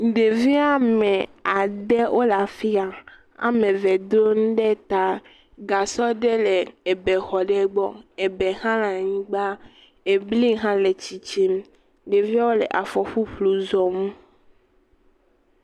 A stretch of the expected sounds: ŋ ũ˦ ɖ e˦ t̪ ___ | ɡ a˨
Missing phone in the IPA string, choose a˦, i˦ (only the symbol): a˦